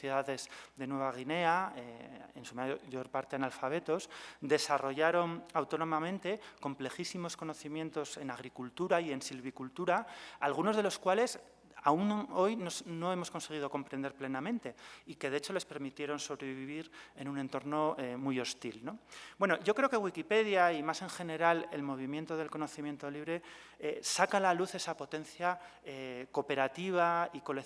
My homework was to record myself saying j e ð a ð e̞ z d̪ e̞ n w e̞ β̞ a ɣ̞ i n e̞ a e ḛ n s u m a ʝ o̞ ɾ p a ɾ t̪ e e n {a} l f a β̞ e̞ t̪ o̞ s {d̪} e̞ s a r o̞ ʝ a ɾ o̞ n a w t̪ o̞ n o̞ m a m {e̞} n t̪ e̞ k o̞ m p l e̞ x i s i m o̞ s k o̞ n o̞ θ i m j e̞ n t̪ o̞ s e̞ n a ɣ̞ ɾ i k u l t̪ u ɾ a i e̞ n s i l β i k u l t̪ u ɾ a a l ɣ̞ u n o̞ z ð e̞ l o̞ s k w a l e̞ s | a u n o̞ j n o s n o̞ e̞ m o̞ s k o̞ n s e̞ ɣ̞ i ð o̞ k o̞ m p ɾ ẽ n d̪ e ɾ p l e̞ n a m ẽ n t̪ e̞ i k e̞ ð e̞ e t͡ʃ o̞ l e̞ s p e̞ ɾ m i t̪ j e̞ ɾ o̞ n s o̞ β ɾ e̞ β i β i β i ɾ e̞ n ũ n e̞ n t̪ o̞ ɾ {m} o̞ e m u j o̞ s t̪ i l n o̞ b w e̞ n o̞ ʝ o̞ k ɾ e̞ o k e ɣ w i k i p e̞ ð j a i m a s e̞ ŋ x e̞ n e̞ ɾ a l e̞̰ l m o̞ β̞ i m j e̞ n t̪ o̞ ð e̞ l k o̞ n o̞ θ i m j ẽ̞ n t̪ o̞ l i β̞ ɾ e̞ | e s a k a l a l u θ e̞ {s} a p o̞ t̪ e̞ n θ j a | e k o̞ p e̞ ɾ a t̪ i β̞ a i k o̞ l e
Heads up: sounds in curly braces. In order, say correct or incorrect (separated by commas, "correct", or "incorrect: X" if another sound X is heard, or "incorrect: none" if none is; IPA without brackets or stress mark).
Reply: correct, correct, incorrect: ẽ̞, incorrect: n, correct